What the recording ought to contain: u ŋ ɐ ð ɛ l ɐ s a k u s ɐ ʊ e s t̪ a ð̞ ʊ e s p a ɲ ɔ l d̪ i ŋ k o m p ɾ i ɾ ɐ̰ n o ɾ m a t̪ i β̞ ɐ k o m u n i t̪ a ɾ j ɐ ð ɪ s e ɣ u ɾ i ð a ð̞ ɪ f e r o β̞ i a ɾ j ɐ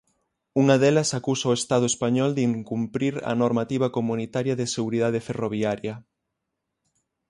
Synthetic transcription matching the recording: u ŋ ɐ ð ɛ l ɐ s a k u s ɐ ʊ e s t̪ a ð̞ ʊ e s p a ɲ ɔ l d̪ i ŋ k u m p ɾ i ɾ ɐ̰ n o ɾ m a t̪ i β̞ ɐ k o m u n i t̪ a ɾ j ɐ ð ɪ s e ɣ u ɾ i ð a ð̞ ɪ f e r o β̞ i a ɾ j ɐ